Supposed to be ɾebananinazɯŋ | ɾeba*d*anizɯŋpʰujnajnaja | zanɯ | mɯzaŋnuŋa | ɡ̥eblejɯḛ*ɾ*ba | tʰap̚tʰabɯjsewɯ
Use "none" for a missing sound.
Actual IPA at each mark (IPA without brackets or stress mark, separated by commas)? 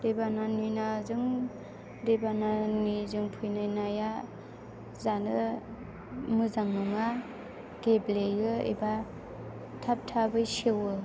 n, none